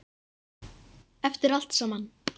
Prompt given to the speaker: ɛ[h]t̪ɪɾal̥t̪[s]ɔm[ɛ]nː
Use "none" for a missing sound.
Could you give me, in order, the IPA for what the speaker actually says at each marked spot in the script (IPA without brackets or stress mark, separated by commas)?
f, s, a